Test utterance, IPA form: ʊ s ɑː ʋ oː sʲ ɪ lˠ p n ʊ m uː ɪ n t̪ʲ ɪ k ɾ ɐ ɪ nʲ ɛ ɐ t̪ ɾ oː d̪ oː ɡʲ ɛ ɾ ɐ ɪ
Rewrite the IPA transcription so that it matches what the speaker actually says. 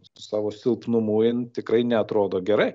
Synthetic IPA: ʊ s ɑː ʋ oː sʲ ɪ lˠ p n ʊ m uː ɪ n t̪ʲ ɪ k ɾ ɐ ɪ nʲ ɛ ɐ t̪ ɾ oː d̪ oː ɡʲ ɛ ɾ ɐ ɪ